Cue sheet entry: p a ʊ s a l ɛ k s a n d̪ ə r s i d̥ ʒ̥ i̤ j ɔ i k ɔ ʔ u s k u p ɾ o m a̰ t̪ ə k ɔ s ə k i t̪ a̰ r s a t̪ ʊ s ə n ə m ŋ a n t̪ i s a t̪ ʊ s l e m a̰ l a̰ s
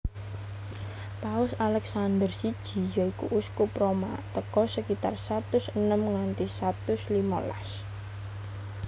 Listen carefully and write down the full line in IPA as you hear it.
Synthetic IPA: p a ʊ s a l ɛ k s a n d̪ ə r s i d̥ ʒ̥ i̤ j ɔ i k u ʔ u s k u p ɾ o m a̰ t̪ ə k ɔ s ə k i t̪ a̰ r s a t̪ ʊ s ə n ə m ŋ a n t̪ i s a t̪ ʊ s l i m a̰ l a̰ s